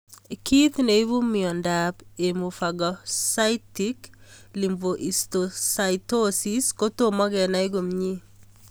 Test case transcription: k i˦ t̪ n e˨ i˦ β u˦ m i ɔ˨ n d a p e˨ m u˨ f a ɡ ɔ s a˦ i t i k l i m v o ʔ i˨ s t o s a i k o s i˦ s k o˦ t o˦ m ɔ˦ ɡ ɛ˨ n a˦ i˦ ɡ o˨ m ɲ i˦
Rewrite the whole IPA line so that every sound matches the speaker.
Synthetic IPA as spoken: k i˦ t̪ n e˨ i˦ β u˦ m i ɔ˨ n d a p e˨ m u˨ f a ɡ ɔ s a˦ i t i k l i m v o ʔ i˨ s t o s a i t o s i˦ s k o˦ t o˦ m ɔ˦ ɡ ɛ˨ n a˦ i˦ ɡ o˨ m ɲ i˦